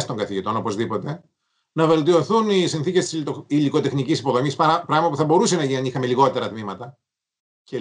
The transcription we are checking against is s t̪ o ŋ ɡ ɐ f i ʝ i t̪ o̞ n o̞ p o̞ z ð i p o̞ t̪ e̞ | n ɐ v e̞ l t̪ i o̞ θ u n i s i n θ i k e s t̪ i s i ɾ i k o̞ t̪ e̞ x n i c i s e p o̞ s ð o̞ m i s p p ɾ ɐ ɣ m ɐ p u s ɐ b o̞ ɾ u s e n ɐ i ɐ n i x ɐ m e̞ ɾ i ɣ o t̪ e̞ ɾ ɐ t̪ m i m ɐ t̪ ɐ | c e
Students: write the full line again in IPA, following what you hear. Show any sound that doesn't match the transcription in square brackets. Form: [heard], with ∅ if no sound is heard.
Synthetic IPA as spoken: s t̪ o ŋ ɡ ɐ [θ] i ʝ i t̪ o̞ n o̞ p o̞ z ð i p o̞ t̪ e̞ | n ɐ v e̞ l t̪ i o̞ θ u n i s i n θ i [c] e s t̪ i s i [l] i k o̞ t̪ e̞ x n i c i s [i] p o̞ [∅] ð o̞ m i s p p ɾ ɐ ɣ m ɐ p u [θ] ɐ b o̞ ɾ u s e n ɐ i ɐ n i x ɐ m e̞ [l] i ɣ o t̪ e̞ ɾ ɐ t̪ m i m ɐ t̪ ɐ | c e